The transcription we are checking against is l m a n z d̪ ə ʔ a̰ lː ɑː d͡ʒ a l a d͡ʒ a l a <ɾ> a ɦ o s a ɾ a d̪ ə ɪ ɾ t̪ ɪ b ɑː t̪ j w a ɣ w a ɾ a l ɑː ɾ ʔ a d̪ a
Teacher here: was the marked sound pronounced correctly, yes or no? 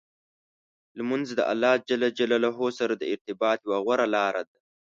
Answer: no